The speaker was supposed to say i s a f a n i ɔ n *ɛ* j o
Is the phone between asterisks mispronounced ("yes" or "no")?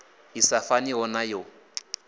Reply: yes